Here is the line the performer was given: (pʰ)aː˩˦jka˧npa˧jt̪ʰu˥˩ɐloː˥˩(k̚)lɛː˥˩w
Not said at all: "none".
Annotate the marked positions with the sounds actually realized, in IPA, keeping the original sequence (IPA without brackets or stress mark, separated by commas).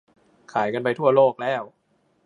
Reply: kʰ, k̚